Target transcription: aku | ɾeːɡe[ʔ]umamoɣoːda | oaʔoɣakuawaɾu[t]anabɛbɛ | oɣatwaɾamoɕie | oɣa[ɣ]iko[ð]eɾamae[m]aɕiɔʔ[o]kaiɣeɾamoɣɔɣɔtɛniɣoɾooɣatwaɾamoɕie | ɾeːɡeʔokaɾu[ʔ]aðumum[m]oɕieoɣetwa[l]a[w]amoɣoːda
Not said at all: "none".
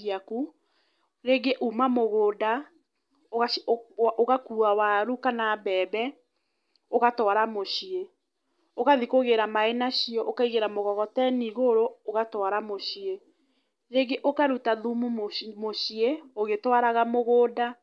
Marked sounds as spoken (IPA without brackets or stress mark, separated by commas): ʔ, k, ð, ɣ, n, o, t, m, ɾ, ɣ